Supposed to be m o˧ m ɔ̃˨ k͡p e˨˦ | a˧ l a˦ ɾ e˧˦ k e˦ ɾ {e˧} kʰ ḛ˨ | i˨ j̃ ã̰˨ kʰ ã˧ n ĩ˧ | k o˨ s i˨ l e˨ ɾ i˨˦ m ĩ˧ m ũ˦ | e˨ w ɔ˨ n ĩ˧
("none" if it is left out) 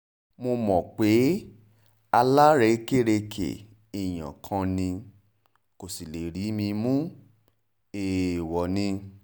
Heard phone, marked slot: e˧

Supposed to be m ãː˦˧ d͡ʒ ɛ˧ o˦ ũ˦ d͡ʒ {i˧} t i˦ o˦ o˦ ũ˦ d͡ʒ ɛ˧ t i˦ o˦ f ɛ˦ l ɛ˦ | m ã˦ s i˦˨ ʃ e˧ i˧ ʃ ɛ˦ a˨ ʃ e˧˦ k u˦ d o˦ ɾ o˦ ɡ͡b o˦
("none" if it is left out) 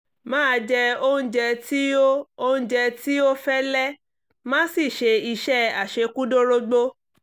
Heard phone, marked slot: ɛ˧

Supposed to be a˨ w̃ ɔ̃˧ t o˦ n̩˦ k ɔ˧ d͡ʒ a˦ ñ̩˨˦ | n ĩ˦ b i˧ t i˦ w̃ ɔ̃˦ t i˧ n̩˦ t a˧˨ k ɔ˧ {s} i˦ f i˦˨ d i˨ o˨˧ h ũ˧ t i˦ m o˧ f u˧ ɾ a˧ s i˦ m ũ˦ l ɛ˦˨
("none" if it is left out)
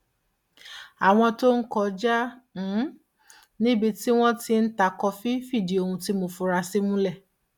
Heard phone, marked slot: f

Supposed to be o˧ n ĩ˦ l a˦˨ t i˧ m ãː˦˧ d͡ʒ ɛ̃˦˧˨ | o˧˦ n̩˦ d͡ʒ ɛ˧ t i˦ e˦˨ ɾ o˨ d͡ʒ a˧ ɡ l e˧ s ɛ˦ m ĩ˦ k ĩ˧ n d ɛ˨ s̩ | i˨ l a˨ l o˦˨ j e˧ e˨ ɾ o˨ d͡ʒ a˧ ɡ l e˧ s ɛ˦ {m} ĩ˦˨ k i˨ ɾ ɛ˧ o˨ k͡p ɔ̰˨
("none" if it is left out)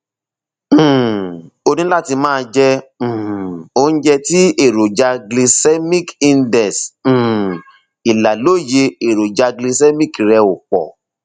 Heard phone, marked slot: m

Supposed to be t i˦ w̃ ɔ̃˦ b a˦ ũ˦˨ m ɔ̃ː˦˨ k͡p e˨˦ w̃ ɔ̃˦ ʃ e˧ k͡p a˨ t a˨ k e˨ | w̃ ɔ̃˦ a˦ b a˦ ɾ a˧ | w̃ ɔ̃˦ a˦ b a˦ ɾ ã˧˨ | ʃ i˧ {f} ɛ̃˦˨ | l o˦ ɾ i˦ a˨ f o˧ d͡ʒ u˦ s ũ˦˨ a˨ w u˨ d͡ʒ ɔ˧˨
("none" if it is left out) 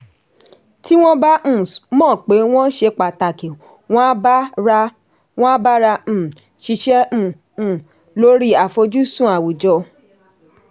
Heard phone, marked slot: ʃ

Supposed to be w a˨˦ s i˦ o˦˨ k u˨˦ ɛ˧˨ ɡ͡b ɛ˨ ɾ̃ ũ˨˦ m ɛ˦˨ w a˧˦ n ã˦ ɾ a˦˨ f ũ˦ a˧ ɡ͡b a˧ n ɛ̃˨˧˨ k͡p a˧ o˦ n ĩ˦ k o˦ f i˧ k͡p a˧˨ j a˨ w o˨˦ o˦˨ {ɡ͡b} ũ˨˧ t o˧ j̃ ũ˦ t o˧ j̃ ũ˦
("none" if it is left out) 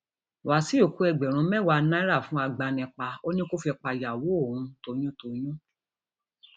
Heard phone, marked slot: none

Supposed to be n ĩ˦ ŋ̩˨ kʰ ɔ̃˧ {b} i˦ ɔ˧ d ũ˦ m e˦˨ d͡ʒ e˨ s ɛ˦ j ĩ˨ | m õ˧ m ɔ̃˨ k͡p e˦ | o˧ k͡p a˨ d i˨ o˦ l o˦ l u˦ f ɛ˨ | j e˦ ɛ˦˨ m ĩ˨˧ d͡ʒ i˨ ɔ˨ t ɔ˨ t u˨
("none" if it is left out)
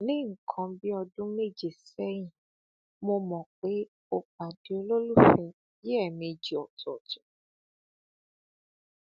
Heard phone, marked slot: b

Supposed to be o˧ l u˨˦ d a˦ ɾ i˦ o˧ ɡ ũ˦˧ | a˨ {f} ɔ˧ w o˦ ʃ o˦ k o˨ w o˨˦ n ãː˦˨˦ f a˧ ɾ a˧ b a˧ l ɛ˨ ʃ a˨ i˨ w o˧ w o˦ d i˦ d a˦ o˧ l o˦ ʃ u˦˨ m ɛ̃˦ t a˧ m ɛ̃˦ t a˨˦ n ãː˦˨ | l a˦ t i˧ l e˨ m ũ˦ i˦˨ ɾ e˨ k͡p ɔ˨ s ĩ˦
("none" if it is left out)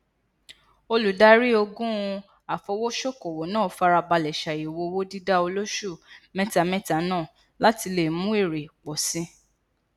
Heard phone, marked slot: f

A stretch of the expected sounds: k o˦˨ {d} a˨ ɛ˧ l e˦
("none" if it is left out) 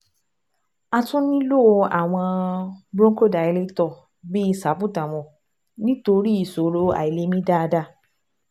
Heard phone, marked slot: d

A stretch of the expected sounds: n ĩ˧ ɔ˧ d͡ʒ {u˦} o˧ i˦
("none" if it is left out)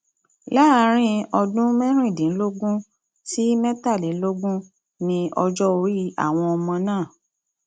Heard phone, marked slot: ɔ˦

